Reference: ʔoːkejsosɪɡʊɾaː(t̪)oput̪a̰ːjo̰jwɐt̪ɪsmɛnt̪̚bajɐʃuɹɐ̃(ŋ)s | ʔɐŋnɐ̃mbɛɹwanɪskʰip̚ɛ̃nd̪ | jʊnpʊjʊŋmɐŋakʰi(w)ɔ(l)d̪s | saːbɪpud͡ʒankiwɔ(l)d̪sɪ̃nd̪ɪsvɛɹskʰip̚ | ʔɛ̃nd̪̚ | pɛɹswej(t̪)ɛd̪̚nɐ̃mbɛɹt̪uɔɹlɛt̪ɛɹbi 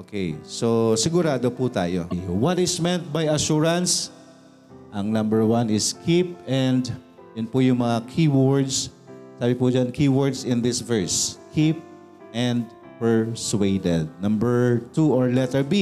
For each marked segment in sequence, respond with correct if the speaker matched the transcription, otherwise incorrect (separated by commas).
incorrect, incorrect, correct, incorrect, incorrect, incorrect